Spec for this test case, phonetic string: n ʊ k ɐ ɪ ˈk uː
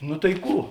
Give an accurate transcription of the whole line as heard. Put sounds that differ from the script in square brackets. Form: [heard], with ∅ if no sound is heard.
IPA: n ʊ [t] ɐ ɪ ˈk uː